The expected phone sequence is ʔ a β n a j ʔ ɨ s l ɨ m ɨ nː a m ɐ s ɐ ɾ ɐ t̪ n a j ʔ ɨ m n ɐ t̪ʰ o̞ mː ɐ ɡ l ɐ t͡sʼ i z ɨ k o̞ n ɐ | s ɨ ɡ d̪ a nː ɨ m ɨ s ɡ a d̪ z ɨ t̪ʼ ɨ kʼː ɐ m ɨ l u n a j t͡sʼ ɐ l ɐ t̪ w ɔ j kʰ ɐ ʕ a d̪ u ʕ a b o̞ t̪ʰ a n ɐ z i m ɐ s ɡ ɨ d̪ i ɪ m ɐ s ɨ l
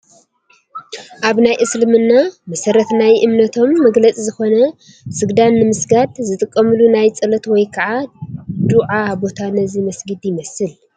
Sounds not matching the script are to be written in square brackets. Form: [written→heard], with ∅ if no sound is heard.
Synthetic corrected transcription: ʔ a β n a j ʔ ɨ s l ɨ m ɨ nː a m ɐ s ɐ ɾ ɐ t̪ n a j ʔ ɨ m n ɐ t̪ʰ o̞ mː ɐ ɡ l ɐ t͡sʼ i z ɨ [k→x] o̞ n ɐ | s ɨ ɡ d̪ a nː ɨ m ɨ s ɡ a d̪ z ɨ t̪ʼ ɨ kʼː ɐ m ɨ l u n a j t͡sʼ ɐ l ɐ t̪ w ɔ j kʰ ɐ ʕ a d̪ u ʕ a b o̞ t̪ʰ a n ɐ z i m ɐ s ɡ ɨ d̪ [i→j] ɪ m ɐ s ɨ l